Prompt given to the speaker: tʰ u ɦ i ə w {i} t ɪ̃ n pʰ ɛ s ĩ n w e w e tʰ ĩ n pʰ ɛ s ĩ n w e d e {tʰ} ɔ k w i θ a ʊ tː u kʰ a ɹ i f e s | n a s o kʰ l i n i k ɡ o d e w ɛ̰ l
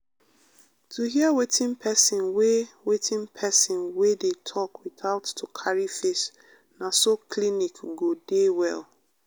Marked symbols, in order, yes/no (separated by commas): no, yes